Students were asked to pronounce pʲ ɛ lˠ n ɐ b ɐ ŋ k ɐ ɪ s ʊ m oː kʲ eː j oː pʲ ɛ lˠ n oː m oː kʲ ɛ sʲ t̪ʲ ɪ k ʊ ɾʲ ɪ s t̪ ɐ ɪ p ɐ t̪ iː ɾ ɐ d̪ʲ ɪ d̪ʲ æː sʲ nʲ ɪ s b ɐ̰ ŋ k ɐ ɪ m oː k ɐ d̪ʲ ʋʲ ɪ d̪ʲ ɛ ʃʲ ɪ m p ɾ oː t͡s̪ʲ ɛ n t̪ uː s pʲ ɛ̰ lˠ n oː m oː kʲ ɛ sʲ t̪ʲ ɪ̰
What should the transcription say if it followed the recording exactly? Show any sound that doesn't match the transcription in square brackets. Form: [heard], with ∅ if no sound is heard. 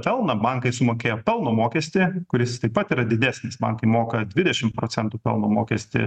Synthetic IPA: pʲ ɛ lˠ n ɐ b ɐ ŋ k ɐ ɪ s ʊ m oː kʲ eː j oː pʲ ɛ lˠ n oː m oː kʲ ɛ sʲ t̪ʲ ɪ k ʊ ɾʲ ɪ s t̪ ɐ ɪ p ɐ t̪ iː ɾ ɐ d̪ʲ ɪ d̪ʲ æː sʲ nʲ ɪ s b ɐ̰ ŋ k ɐ ɪ m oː k ɐ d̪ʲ ʋʲ ɪ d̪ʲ ɛ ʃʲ ɪ m p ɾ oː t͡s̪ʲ ɛ n t̪ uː [∅] pʲ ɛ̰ lˠ n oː m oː kʲ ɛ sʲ t̪ʲ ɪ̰